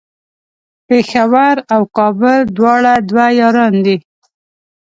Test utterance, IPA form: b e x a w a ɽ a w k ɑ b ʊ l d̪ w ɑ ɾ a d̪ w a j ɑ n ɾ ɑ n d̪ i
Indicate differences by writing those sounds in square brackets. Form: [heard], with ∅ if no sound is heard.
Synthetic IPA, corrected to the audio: [p] e x a w a [ɾ] a w k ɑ b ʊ l d̪ w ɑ [ɽ] a d̪ w a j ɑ [∅] ɾ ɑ n d̪ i